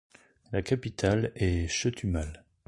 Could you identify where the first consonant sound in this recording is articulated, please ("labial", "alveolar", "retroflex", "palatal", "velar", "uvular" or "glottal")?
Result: alveolar